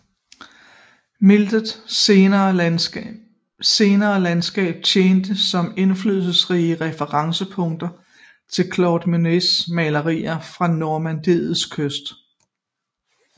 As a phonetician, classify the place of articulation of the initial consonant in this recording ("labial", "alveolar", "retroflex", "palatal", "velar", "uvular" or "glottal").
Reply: labial